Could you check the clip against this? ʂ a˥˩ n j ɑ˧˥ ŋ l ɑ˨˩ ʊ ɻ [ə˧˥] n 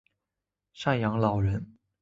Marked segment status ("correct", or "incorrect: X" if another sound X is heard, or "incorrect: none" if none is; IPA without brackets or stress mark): correct